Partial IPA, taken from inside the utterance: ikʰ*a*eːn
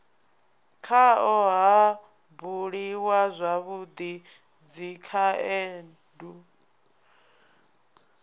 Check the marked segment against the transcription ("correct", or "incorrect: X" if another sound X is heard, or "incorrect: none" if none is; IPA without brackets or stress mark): correct